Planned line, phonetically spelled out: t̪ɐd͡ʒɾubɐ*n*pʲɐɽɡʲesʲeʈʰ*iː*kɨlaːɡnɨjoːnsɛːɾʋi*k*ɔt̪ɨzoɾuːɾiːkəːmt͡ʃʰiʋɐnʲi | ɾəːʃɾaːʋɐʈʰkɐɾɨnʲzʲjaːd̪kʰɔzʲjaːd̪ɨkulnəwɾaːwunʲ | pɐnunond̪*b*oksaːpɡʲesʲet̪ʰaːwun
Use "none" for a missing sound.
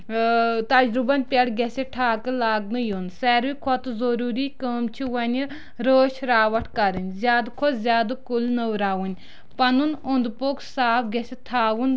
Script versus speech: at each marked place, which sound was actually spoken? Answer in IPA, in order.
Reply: n, aː, kʰ, p

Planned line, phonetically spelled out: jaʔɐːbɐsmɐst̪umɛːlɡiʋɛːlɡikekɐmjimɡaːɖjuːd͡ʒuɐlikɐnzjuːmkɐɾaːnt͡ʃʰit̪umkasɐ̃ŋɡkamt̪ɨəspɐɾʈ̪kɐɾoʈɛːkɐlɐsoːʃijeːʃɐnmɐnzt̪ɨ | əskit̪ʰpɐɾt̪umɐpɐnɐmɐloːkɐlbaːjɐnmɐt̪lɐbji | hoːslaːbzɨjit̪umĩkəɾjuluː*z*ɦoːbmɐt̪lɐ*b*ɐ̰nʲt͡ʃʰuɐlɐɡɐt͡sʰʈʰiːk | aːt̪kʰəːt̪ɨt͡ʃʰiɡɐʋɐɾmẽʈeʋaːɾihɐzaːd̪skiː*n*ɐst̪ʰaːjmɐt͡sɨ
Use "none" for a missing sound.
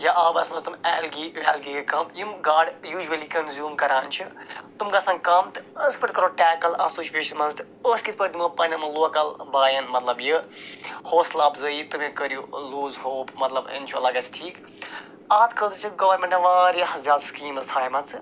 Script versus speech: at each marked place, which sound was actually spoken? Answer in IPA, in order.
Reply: z, b, m

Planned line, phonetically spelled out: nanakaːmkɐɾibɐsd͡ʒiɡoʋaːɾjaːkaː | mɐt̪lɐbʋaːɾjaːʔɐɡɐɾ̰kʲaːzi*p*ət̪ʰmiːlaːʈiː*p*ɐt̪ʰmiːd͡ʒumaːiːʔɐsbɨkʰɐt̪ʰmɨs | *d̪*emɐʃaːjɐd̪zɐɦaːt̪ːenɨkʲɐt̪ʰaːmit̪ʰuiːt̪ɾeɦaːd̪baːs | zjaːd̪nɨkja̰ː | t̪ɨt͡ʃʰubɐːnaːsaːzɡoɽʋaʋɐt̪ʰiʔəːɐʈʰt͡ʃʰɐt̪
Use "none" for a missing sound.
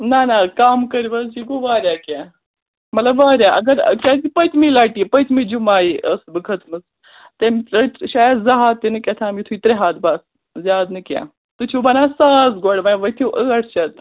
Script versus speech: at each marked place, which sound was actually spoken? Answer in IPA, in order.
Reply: p, p, t̪

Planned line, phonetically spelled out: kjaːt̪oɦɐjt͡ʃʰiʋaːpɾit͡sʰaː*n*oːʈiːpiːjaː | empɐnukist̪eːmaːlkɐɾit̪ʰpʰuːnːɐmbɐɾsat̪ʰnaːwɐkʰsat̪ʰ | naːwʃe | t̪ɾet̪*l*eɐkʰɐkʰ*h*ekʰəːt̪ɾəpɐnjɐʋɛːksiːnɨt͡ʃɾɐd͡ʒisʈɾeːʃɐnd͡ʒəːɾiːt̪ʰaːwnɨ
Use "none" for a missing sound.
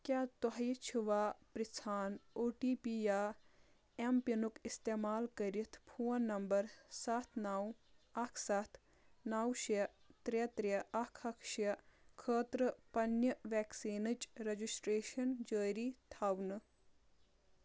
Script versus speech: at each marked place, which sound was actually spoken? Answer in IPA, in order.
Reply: n, ɾ, ʃ

